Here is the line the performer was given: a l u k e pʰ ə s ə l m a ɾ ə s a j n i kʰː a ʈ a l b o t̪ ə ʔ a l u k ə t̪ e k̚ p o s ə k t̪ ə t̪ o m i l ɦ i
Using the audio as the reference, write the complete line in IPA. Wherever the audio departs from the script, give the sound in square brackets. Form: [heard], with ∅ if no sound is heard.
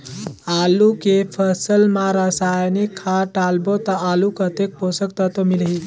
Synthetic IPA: a l u k e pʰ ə s ə l m a ɾ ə s a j n i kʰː a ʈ a l b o t̪ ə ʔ a l u k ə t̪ e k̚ p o s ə k t̪ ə t̪ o m i l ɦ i